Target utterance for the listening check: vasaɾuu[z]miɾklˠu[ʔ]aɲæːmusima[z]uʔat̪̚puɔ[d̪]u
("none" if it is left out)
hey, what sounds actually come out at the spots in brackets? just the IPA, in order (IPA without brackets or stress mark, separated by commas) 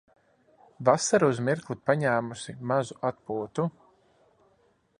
z, p, z, t̪